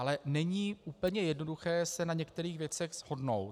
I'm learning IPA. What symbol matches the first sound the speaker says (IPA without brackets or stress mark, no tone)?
a